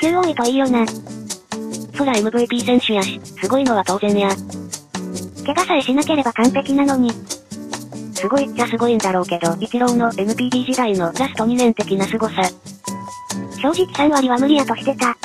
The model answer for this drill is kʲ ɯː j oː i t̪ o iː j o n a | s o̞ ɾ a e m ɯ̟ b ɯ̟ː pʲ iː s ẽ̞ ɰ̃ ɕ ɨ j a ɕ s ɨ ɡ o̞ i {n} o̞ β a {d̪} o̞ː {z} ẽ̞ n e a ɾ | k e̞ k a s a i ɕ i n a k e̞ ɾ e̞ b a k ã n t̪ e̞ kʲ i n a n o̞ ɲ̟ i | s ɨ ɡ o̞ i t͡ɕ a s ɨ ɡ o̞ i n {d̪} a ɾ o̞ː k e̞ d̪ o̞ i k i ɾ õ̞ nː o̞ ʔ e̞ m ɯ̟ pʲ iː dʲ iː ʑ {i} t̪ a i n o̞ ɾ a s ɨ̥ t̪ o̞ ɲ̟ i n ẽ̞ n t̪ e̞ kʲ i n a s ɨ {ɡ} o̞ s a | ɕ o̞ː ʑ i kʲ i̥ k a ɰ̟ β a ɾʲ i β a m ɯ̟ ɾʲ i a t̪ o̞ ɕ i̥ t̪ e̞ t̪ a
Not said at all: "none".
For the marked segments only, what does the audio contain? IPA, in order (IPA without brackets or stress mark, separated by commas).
n, t̪, z, d̪, i, ɡ